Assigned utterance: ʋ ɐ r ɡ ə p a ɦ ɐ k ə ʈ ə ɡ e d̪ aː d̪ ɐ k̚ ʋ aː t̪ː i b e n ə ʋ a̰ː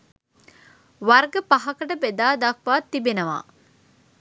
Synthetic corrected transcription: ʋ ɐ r ɡ ə p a ɦ ɐ k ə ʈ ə b e d̪ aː d̪ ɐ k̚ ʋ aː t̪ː i b e n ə ʋ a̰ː